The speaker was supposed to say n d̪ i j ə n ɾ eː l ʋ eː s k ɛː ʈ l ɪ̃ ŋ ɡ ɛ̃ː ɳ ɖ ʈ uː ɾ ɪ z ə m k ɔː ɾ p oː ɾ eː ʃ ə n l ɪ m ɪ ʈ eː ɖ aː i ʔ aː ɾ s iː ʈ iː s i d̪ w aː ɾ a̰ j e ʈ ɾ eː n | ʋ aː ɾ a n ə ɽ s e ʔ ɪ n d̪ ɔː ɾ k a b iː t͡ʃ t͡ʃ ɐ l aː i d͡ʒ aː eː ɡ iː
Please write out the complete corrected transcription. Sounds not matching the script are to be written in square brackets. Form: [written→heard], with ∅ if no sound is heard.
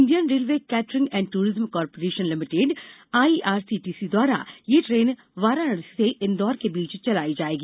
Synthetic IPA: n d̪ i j ə n ɾ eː l ʋ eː [s→∅] k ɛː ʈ [l→ɾ] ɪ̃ ŋ ɡ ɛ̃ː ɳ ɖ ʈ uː ɾ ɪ z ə m k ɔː ɾ p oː ɾ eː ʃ ə n l ɪ m ɪ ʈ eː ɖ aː i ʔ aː ɾ s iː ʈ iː s i d̪ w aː ɾ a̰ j e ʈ ɾ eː n | ʋ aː ɾ a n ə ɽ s e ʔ ɪ n d̪ ɔː ɾ k [a→e] b iː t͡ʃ t͡ʃ ɐ l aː i d͡ʒ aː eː ɡ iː